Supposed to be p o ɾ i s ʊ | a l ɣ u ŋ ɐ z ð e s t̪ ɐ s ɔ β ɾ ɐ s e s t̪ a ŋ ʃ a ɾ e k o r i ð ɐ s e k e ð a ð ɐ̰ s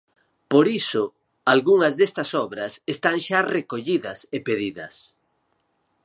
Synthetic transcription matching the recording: p o ɾ i s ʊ | a l ɣ u ŋ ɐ z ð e s t̪ ɐ s ɔ β ɾ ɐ s e s t̪ a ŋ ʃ a r e k o ʎ i ð ɐ s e p e ð i ð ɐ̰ s